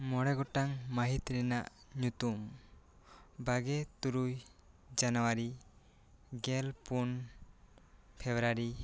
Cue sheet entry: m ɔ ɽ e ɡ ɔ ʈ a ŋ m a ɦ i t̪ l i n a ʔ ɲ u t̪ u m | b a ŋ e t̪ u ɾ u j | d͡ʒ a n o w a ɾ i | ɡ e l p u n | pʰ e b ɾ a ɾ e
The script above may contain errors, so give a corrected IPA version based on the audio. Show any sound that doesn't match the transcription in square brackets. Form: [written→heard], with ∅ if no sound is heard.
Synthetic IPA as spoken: m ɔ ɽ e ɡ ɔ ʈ a ŋ m a ɦ i t̪ [l→ɾ] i n a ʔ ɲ u t̪ u m | b a [ŋ→ɡ] e t̪ u ɾ u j | d͡ʒ a n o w a ɾ i | ɡ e l p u n | pʰ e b ɾ a ɾ [e→i]